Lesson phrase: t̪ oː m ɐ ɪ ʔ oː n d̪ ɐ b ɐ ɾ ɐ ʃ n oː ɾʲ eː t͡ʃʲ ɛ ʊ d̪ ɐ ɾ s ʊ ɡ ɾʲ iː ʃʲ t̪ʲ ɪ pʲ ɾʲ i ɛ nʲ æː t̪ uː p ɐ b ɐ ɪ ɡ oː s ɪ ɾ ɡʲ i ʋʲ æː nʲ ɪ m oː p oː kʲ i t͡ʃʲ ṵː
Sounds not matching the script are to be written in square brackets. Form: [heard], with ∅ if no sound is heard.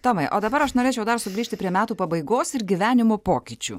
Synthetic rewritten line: t̪ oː m ɐ ɪ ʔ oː [∅] d̪ ɐ b ɐ ɾ ɐ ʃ n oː ɾʲ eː t͡ʃʲ ɛ ʊ d̪ ɐ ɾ s ʊ ɡ ɾʲ iː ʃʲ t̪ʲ ɪ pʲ ɾʲ i ɛ [mʲ] æː t̪ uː p ɐ b ɐ ɪ ɡ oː s ɪ ɾ ɡʲ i ʋʲ æː nʲ ɪ m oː p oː kʲ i t͡ʃʲ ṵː